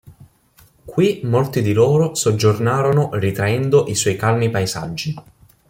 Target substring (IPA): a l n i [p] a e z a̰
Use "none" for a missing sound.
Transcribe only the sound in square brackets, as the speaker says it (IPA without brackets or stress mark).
p